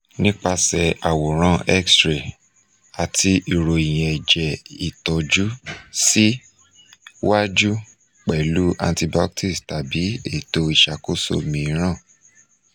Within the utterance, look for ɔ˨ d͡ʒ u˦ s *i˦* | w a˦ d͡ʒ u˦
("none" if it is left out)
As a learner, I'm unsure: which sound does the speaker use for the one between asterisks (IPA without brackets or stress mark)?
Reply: i˦